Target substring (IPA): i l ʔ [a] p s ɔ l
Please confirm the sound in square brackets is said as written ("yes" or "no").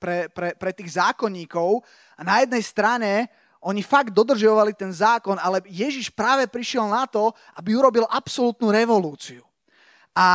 yes